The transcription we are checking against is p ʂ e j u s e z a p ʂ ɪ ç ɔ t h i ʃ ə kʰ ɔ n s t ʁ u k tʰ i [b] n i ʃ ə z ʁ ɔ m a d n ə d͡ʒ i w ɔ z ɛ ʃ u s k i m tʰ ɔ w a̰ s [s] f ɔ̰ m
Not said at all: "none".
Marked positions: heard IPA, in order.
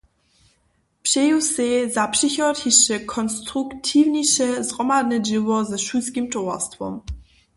v, t

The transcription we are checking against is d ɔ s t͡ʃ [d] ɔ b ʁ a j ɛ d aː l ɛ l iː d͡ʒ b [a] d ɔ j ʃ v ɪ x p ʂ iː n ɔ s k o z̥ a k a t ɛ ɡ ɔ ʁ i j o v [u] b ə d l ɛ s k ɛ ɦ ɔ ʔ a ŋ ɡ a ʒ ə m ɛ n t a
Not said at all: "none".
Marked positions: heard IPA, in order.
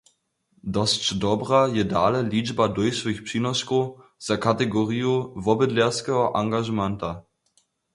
d, a, ɔ

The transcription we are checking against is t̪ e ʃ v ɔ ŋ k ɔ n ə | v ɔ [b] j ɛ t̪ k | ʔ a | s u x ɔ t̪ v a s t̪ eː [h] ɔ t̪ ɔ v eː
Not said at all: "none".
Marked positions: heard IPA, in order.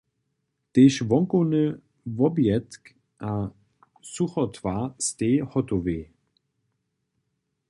b, h

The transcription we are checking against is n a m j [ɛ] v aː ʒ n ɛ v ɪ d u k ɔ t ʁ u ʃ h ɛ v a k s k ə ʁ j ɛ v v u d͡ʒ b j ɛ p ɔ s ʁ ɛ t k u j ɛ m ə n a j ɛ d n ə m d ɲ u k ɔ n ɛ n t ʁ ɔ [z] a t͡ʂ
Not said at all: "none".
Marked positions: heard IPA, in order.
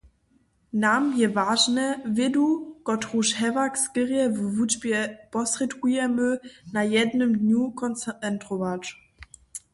ɛ, v

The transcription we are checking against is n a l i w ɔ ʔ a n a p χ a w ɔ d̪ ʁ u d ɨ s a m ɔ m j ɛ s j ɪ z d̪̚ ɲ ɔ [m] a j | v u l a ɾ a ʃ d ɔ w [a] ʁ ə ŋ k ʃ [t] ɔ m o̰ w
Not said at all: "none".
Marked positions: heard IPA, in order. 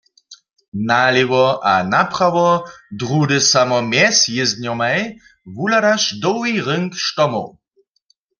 m, i, t

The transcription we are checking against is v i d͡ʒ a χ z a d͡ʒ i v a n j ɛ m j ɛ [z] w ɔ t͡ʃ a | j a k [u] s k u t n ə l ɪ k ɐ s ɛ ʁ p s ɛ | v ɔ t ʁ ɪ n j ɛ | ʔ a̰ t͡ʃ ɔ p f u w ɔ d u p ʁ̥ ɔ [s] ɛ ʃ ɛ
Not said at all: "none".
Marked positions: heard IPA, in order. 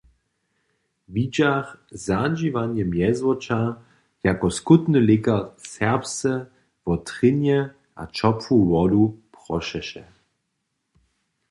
z, ɔ, ʃ

